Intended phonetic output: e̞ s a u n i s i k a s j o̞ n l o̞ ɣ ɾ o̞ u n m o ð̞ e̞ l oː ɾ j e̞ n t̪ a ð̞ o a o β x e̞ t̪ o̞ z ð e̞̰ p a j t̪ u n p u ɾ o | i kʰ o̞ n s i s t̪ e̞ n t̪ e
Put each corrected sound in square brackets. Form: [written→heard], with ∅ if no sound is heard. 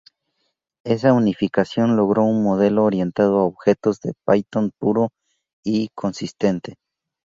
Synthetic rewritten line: e̞ s a u n i [s→f] i k a s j o̞ n l o̞ ɣ ɾ o̞ u n m o ð̞ e̞ l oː ɾ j e̞ n t̪ a ð̞ o a o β x e̞ t̪ o̞ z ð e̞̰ p a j t̪ [u→o] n p u ɾ o | i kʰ o̞ n s i s t̪ e̞ n t̪ e